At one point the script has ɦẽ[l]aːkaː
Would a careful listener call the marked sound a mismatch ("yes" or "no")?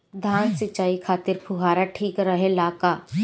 no